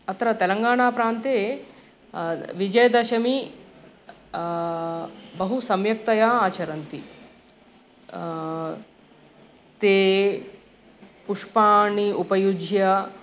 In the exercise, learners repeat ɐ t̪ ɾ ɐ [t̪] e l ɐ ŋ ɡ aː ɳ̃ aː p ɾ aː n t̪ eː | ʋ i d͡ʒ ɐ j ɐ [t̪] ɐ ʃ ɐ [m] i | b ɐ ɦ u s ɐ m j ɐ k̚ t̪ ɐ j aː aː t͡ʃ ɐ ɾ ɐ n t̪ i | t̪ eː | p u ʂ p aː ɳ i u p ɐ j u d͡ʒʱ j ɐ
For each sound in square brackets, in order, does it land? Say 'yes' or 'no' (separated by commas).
yes, no, yes